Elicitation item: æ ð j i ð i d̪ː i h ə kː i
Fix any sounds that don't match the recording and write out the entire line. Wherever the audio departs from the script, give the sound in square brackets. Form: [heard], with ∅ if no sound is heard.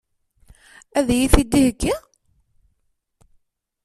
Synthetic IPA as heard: æ ð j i [θ] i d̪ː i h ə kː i